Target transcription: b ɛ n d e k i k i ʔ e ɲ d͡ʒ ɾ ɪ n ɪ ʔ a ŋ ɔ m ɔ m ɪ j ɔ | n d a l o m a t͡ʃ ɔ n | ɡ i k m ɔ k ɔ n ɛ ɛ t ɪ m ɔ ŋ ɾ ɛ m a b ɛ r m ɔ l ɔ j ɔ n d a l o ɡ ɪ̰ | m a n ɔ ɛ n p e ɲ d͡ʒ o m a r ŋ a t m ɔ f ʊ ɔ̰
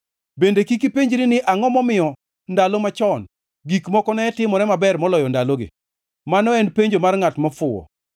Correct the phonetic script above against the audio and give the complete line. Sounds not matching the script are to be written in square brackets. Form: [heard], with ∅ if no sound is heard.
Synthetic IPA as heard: b [e] n d e k i k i [p] e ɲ d͡ʒ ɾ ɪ n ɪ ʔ a ŋ ɔ m ɔ m ɪ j ɔ | n d a l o m a t͡ʃ ɔ n | ɡ i k m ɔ k ɔ n ɛ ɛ t ɪ m ɔ [∅] ɾ ɛ m a b ɛ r m ɔ l ɔ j ɔ n d a l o ɡ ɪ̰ | m a n ɔ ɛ n p e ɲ d͡ʒ o m a r ŋ a t m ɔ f ʊ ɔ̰